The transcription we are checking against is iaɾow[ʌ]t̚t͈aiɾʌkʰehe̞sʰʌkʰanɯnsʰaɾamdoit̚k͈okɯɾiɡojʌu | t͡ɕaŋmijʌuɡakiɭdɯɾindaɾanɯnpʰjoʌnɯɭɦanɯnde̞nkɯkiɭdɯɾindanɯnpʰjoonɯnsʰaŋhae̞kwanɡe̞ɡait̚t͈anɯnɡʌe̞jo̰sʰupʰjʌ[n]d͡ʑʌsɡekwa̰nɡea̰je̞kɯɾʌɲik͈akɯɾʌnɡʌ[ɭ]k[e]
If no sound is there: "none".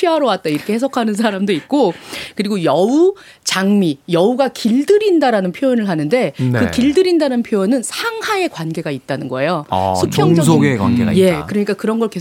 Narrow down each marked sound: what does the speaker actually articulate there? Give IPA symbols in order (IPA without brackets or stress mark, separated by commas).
a, ŋ, ɭ, e